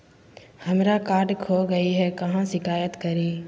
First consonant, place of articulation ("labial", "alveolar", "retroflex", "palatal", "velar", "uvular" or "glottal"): glottal